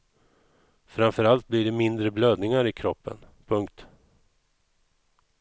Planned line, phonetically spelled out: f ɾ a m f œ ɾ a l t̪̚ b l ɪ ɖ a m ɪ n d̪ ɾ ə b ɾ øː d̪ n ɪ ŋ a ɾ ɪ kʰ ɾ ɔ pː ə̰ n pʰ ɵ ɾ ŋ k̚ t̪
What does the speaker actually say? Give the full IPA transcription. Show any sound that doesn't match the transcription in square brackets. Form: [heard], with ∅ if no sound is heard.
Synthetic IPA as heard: f ɾ a m f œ ɾ a l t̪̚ b l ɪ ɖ [ɛ] m ɪ n d̪ ɾ ə b [l] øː d̪ n ɪ ŋ a ɾ ɪ kʰ ɾ ɔ pː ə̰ n pʰ ɵ [∅] ŋ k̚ t̪

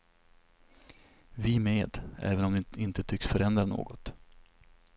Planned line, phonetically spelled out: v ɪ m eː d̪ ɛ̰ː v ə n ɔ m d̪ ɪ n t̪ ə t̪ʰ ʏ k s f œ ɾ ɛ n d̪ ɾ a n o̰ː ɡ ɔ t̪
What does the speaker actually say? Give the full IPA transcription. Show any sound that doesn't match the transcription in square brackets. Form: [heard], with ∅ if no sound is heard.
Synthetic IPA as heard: v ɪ m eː d̪ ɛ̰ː v ə n ɔ m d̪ ɪ n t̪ ə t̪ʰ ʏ k s f œ ɾ ɛ n d̪ ɾ a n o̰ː ɡ ɔ t̪

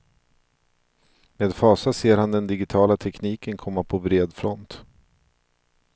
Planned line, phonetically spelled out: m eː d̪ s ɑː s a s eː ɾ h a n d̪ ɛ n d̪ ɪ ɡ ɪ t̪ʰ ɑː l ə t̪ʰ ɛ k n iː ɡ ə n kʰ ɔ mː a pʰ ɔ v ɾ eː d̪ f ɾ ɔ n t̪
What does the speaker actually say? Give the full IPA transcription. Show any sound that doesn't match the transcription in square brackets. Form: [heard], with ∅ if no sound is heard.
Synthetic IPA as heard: m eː d̪ [f] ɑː s a s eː ɾ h a n d̪ ɛ n d̪ ɪ ɡ ɪ t̪ʰ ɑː l [a] t̪ʰ ɛ k n iː [k] ə n kʰ ɔ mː a pʰ ɔ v ɾ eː d̪ f ɾ ɔ n t̪

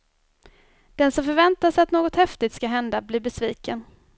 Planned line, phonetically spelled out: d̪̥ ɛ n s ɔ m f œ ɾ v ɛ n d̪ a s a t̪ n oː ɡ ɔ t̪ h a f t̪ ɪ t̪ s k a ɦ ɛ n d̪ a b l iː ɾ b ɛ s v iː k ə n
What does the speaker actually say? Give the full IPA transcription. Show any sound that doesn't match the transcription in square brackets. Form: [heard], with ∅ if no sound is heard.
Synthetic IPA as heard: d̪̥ ɛ n s ɔ m f œ ɾ v ɛ n [t̪] a s a t̪ n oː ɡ ɔ t̪ h [ɛ] f t̪ ɪ t̪ s k a ɦ ɛ n d̪ a b l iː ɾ b ɛ s v iː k ə n

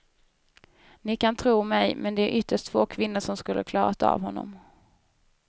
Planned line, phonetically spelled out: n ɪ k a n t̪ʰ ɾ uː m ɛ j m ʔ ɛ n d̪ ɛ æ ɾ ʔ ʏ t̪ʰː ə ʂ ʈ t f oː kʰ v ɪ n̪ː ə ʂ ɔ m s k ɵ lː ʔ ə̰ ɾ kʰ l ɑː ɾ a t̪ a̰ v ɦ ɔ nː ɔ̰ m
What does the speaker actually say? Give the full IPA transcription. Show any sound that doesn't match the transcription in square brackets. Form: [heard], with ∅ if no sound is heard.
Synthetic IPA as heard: n ɪ k a n t̪ʰ ɾ uː m ɛ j m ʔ ɛ n d̪ ɛ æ ɾ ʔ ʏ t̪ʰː ə ʂ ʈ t f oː kʰ v ɪ n̪ː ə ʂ ɔ m s k ɵ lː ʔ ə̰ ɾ kʰ l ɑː ɾ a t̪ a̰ v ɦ ɔ nː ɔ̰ m

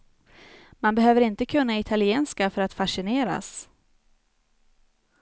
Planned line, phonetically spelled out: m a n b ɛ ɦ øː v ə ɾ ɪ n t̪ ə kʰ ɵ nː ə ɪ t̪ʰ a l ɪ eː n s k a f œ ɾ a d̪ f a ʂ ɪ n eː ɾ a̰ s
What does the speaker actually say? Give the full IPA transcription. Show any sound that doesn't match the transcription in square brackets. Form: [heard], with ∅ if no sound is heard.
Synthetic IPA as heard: m a n b ɛ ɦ øː v ə ɾ ɪ n t̪ ə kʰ ɵ nː [a] ɪ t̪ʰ a l ɪ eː n s k a f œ ɾ a [t̪] f a ʂ ɪ n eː ɾ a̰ s

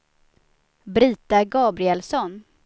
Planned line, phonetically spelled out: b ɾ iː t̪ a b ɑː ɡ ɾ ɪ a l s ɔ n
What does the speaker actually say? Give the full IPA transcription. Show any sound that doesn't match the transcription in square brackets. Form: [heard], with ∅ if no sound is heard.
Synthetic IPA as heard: b ɾ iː t̪ a [ɡ] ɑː [b] ɾ ɪ [ɛ] l s ɔ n

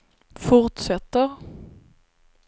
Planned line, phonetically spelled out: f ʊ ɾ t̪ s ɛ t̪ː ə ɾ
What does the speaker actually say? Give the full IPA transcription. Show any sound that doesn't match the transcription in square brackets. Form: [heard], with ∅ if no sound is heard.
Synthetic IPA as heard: f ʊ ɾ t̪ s ɛ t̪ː ə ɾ

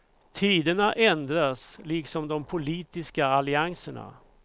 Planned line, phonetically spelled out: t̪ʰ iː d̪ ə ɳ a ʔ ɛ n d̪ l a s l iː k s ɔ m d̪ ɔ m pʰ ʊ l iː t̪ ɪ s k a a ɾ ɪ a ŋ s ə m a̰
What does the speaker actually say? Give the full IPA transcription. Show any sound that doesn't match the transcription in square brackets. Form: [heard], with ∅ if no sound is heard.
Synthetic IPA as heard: t̪ʰ iː d̪ ə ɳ a ʔ ɛ n d̪ [ɾ] a s l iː k s ɔ m d̪ ɔ m pʰ ʊ l iː t̪ ɪ s k a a [l] ɪ a ŋ s ə [ɳ] a̰

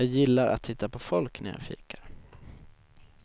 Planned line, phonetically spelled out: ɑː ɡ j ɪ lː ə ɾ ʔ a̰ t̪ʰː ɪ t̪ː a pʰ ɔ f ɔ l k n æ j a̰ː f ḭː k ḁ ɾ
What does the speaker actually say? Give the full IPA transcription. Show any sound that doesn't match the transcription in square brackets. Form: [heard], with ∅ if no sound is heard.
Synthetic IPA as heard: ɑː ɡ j ɪ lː [a] ɾ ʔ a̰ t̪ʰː ɪ t̪ː a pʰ ɔ f ɔ l k n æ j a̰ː f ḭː k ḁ ɾ

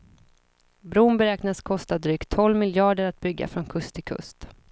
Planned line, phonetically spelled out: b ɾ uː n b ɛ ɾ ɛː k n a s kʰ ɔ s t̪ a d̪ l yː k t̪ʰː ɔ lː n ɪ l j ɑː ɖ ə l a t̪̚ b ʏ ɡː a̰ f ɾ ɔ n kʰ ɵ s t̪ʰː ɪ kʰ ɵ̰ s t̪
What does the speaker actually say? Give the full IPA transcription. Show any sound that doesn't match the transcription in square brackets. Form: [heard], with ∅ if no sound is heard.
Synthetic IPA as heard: b ɾ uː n b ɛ ɾ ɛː k n a s kʰ ɔ s t̪ a d̪ [ɾ] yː k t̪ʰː ɔ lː [m] ɪ l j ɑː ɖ ə [ɾ] a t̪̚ b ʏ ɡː a̰ f ɾ ɔ n kʰ ɵ s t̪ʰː ɪ kʰ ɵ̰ s t̪

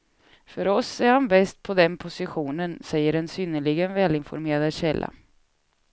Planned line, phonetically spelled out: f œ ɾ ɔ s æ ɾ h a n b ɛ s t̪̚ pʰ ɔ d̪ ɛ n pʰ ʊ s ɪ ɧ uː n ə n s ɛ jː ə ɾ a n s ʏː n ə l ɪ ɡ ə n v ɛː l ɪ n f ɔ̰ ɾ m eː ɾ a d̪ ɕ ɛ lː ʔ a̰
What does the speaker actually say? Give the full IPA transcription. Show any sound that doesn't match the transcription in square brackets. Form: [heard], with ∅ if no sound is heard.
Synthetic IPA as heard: f œ ɾ ɔ s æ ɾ h a n b ɛ s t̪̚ pʰ ɔ d̪ ɛ n pʰ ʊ s ɪ ɧ uː n ə n s ɛ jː ə ɾ [ɛ] n s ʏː n ə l ɪ ɡ ə n v ɛː l ɪ n f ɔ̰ ɾ m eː ɾ a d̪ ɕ ɛ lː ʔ a̰

